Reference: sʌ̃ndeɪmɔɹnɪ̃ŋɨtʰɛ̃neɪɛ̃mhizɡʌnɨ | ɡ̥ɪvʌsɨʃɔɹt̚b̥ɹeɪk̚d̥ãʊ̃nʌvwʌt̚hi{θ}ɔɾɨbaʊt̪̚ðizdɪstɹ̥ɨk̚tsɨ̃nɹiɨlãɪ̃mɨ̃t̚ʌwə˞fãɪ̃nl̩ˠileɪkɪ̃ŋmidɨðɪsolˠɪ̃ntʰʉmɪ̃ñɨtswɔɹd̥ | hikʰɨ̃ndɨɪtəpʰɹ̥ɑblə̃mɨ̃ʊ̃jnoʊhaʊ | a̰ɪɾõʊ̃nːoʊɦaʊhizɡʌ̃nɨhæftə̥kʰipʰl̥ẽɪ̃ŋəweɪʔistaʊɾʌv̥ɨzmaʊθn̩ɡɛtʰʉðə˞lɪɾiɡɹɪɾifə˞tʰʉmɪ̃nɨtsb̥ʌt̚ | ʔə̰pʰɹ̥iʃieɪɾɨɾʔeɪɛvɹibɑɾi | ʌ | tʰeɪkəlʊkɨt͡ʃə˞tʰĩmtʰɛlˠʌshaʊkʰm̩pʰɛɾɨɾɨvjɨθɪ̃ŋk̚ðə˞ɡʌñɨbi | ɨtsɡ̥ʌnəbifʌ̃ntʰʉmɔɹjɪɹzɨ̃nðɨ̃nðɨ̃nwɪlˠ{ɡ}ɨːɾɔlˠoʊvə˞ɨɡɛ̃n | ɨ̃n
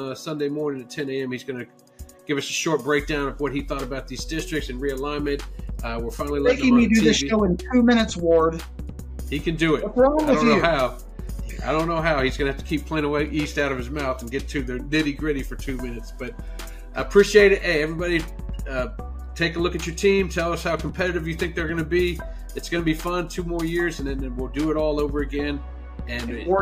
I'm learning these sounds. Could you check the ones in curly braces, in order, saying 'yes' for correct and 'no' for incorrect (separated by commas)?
yes, no